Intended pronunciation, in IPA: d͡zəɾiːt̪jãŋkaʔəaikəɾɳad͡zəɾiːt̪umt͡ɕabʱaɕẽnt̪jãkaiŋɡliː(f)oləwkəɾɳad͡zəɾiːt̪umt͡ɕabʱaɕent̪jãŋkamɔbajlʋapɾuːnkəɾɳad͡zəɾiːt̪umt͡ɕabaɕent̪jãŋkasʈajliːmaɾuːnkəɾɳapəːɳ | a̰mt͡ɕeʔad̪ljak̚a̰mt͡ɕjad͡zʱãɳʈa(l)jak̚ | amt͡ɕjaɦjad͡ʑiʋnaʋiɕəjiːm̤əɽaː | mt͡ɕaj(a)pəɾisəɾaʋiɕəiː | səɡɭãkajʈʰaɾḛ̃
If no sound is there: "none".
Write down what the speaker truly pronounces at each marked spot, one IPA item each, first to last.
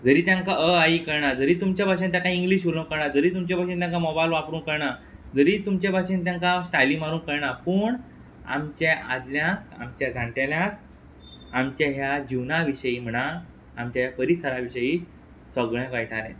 ɕ, l, a

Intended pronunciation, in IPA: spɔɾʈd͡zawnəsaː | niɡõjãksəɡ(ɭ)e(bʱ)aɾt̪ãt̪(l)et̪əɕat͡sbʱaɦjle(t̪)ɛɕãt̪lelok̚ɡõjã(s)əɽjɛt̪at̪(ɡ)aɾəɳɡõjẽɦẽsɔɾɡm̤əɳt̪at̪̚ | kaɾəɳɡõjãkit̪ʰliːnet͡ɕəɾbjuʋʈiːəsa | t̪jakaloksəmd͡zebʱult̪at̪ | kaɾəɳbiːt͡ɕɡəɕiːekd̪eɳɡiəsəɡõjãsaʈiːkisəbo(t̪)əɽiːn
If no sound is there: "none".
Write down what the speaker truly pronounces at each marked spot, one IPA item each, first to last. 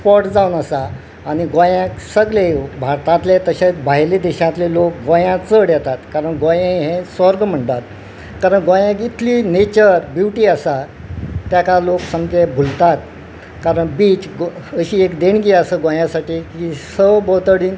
l, bʱ, l, d̪, t͡s, k, t̪

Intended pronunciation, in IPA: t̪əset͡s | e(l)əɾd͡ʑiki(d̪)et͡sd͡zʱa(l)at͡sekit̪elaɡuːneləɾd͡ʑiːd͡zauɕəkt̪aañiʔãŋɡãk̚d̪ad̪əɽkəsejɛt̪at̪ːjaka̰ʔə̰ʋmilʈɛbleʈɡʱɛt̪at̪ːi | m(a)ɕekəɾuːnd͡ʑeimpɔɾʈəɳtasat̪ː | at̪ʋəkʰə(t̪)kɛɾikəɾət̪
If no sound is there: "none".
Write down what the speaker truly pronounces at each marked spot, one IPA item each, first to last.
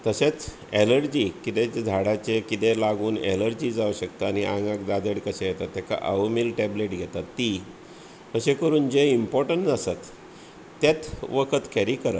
l, t̪, ɽ, ə, t̪

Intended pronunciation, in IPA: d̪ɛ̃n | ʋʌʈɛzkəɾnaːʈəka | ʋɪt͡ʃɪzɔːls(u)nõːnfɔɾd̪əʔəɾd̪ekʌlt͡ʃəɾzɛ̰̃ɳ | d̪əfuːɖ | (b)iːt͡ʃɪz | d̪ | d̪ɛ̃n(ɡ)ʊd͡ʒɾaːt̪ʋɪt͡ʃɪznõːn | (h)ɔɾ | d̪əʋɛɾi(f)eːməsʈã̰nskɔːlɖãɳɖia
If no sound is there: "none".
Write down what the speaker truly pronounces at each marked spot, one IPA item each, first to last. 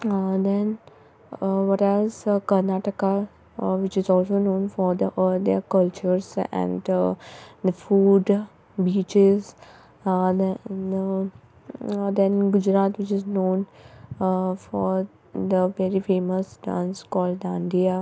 o, b, ɡ, f, f

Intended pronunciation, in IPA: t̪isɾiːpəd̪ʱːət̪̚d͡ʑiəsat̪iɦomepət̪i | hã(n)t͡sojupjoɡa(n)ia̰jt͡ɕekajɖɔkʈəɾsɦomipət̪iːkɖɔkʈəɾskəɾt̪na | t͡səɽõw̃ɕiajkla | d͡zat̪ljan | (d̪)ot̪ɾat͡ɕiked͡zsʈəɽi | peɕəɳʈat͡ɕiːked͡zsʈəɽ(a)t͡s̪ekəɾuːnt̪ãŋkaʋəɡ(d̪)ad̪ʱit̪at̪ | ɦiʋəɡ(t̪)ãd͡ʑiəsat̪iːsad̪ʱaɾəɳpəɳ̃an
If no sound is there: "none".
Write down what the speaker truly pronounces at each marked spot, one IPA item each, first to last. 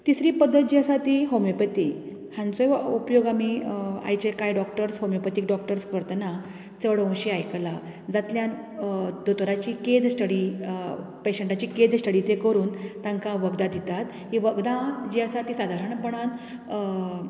n, m, d̪, i, d̪, d̪

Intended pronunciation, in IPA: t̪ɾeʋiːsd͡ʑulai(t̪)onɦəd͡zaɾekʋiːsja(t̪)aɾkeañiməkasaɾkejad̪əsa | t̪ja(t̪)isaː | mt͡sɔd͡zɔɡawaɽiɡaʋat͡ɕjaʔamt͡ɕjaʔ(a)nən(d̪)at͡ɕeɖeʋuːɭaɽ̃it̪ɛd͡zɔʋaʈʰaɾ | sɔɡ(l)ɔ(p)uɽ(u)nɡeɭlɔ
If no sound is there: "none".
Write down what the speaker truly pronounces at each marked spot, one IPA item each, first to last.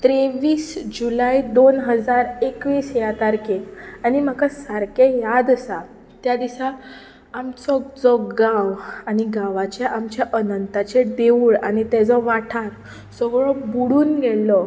d̪, t̪, d̪, ə, t̪, ɭ, b, uː

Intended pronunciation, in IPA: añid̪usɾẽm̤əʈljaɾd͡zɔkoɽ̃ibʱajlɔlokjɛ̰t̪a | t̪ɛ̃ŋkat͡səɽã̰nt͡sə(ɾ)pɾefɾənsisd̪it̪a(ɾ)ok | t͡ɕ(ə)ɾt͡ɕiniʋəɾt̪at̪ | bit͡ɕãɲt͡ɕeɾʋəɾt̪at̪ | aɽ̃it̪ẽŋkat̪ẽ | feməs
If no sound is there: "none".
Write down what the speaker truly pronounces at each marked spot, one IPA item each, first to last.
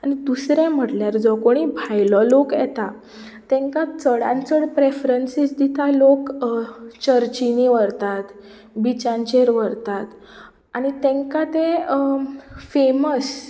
ɽ, l, ə

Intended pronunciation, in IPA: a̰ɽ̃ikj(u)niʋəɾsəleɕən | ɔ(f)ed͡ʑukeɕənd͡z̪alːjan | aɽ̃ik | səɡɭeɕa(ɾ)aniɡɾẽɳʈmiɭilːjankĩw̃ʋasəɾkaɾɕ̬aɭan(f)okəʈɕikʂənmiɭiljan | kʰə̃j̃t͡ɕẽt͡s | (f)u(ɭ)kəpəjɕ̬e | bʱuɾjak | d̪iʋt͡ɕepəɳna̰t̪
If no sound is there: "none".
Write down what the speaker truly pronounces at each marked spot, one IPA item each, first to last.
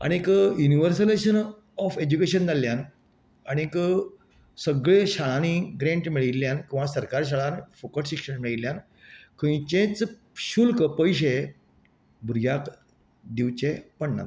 u, f, ɭ, f, ɕ, l

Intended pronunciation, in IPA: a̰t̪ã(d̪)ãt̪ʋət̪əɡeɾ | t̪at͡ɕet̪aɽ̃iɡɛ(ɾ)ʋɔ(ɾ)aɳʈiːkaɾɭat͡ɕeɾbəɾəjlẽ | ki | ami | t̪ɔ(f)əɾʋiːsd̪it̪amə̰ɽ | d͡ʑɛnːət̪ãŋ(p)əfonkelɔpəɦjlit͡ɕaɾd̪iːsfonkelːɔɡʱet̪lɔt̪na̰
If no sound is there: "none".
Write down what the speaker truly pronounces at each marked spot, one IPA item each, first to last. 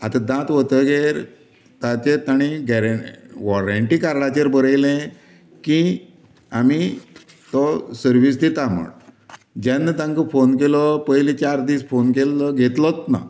d̪, ɾ, ɾ, s, k

